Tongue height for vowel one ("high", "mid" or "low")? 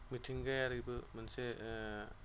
high